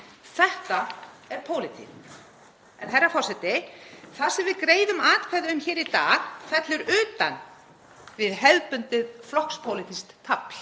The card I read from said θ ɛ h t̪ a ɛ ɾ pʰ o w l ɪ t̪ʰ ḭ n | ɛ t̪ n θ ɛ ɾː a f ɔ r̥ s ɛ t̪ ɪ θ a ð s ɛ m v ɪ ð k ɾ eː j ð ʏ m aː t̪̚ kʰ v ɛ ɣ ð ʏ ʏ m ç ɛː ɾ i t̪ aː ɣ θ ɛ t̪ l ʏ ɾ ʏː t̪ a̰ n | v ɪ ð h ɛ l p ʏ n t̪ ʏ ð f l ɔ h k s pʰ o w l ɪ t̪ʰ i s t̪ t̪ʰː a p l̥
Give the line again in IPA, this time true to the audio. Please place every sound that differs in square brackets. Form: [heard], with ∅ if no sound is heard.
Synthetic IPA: θ ɛ h t̪ a ɛ ɾ pʰ o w l ɪ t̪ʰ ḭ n | ɛ [∅] n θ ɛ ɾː a f ɔ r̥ s ɛ t̪ ɪ θ a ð s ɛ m v ɪ ð k ɾ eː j ð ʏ m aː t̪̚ kʰ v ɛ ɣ ð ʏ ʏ m ç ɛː ɾ i t̪ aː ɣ θ ɛ t̪ l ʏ ɾ ʏː t̪ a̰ n | v ɪ ð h ɛ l p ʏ n t̪ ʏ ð f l ɔ h k s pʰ o w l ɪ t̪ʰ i s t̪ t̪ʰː a p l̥